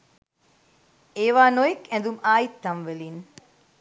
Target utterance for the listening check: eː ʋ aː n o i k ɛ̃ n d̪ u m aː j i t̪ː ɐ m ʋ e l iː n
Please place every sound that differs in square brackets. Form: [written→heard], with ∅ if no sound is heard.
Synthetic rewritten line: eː ʋ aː n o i k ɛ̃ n d̪ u m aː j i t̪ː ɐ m ʋ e l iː n

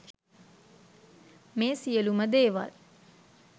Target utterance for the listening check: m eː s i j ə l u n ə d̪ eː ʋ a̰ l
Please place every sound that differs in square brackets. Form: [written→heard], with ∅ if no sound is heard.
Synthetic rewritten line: m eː s i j ə l u [n→m] ə d̪ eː ʋ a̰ l

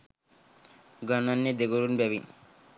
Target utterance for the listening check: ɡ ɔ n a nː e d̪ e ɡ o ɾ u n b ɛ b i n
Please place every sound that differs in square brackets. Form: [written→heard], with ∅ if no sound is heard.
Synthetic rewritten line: ɡ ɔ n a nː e d̪ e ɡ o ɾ u n b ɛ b i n

